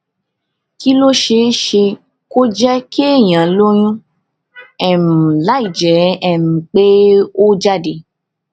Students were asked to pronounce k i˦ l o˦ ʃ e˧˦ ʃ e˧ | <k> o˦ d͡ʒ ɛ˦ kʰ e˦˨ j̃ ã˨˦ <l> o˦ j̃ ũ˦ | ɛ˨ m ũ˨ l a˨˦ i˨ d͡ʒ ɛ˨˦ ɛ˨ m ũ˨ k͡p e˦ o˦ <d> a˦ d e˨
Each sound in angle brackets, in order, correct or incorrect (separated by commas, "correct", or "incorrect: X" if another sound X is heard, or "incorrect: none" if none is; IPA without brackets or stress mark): correct, correct, incorrect: d͡ʒ